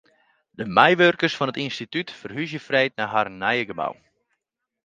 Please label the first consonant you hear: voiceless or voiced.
voiced